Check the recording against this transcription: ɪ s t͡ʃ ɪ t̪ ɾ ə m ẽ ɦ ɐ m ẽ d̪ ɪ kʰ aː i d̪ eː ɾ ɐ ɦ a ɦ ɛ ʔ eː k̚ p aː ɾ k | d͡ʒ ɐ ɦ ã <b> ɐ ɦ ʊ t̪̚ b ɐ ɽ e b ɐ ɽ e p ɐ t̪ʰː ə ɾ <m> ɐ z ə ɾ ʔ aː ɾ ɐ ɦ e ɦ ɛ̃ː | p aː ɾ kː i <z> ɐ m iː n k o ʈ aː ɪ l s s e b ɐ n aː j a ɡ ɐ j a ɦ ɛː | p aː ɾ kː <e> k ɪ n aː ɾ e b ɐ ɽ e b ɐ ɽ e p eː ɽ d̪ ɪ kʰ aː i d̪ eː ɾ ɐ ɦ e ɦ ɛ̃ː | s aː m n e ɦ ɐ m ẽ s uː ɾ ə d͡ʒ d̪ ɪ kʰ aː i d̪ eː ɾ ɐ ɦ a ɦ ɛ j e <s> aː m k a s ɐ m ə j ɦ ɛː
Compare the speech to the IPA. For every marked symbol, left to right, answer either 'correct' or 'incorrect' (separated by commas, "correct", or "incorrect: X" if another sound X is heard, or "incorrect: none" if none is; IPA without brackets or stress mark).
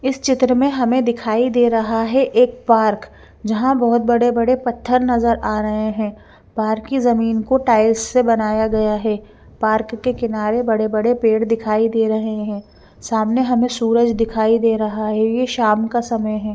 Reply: correct, incorrect: n, correct, correct, incorrect: ʃ